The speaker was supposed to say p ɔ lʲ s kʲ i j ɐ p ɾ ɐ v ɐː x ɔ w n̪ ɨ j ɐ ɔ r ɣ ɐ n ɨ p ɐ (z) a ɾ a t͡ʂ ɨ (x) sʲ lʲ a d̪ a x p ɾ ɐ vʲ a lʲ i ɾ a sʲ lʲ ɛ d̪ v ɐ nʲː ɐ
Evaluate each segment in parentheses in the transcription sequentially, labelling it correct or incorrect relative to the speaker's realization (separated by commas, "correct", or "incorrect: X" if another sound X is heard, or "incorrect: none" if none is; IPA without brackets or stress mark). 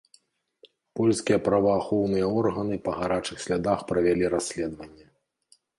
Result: incorrect: ɣ, correct